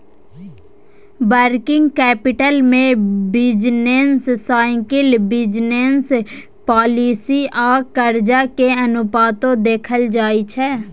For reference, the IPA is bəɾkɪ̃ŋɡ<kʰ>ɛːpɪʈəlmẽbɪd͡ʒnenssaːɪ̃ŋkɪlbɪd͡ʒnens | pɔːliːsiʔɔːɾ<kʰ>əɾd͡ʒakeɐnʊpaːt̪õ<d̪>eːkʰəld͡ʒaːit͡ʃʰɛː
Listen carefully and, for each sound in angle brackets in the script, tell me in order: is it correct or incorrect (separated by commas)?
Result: incorrect, incorrect, correct